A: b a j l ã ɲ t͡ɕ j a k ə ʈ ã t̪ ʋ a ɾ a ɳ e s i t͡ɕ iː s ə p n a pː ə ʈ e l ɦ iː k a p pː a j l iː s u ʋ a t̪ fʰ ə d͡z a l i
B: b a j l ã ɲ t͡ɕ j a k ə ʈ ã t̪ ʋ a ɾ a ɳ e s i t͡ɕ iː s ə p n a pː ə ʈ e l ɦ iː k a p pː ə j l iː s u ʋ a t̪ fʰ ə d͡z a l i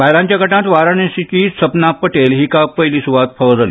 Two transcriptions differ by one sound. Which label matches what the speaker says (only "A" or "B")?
B